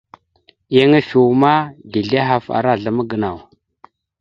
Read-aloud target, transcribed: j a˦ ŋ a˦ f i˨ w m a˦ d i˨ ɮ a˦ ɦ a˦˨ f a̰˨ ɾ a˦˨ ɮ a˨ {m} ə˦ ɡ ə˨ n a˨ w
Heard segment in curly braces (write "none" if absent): m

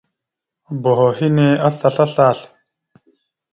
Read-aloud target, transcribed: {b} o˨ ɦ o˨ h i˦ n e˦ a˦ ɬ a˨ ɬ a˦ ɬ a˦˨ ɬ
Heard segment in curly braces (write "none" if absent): b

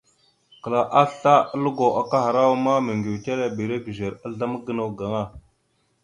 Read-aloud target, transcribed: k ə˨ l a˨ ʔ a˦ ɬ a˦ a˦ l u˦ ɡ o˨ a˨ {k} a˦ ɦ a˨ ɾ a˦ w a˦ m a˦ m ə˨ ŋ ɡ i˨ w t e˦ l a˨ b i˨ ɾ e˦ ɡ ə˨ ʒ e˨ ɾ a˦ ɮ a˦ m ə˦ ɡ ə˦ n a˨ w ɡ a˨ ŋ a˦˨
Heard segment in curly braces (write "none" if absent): k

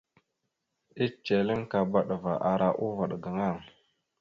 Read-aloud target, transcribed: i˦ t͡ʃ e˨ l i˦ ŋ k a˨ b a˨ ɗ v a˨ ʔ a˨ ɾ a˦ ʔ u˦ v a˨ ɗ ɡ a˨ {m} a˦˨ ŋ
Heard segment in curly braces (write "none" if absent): ŋ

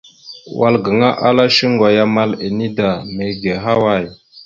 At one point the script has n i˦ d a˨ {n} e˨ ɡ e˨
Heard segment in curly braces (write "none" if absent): m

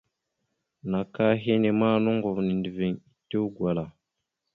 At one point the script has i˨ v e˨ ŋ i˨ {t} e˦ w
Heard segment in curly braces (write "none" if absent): t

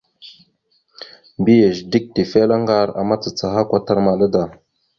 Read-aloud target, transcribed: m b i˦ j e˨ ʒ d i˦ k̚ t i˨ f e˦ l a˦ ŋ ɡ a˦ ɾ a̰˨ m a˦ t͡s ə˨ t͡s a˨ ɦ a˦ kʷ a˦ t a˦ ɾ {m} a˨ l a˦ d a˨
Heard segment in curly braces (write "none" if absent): m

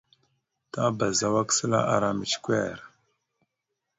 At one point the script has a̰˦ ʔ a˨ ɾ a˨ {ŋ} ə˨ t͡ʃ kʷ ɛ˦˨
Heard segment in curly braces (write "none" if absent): m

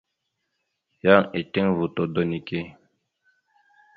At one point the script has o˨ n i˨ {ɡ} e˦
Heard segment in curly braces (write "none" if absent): k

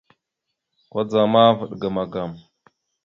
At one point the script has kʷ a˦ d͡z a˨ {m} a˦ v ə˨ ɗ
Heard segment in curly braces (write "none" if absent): m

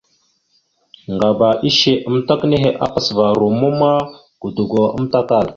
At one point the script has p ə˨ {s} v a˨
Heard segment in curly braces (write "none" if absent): s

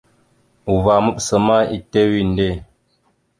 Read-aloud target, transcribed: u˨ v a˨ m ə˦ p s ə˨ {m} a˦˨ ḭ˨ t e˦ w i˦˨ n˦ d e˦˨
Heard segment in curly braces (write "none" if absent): m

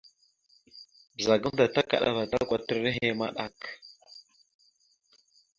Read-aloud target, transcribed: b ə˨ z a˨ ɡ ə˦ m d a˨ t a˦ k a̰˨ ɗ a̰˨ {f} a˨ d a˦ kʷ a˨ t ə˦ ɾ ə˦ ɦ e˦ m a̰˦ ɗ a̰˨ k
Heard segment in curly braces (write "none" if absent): v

